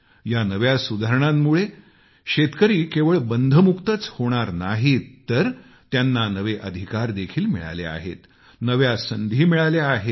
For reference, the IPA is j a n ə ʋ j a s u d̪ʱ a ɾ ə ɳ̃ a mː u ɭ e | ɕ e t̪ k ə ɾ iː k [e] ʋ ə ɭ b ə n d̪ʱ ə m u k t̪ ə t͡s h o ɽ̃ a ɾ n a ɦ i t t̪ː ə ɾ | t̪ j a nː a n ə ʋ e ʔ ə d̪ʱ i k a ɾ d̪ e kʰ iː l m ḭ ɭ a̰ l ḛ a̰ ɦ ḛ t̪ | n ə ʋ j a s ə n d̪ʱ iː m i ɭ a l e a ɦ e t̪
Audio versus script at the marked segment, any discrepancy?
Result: no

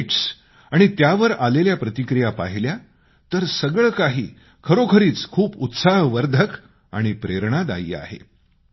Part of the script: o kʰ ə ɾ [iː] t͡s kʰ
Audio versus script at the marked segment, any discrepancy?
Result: no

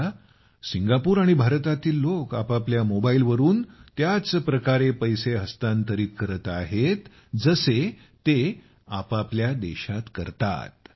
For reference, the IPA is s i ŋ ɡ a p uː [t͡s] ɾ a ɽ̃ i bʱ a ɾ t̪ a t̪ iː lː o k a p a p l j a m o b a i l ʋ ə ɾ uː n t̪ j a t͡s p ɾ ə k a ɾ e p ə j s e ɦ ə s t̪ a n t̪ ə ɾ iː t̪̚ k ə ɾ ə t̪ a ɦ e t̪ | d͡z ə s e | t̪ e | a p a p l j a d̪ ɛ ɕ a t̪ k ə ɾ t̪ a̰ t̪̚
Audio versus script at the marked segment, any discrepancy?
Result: yes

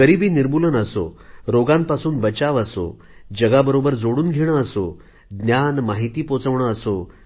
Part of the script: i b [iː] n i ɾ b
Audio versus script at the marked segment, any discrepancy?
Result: no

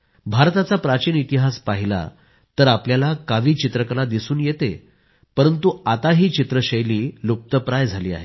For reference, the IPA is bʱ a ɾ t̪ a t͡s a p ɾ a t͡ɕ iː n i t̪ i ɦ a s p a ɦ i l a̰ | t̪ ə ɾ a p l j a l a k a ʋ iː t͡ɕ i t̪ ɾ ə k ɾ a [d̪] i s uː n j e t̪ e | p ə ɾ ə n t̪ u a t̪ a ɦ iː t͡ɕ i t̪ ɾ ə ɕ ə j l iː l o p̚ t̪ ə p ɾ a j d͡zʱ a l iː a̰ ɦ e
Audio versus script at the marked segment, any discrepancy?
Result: no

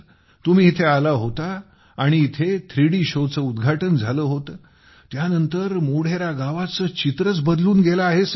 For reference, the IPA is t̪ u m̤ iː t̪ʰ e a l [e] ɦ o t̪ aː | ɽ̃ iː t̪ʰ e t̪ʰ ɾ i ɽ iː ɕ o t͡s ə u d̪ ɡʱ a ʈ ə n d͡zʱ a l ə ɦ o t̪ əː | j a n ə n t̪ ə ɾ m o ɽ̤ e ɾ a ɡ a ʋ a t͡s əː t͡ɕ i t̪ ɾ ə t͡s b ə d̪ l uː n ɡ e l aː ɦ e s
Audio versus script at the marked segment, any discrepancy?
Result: yes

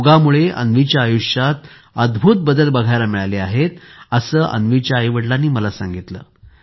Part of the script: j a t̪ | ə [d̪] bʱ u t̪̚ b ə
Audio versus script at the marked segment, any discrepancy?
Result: no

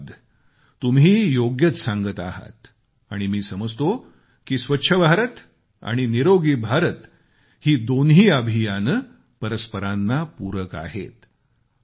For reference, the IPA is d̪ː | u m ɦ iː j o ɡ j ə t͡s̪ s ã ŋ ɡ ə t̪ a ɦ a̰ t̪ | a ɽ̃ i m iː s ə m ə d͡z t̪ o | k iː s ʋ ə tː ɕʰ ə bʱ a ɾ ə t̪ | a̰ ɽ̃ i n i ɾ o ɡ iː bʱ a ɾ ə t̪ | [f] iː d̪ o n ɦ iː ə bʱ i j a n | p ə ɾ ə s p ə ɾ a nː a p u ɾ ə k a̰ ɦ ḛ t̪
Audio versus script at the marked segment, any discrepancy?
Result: yes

